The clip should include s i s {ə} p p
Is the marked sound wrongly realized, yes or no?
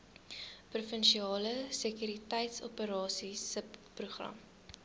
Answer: no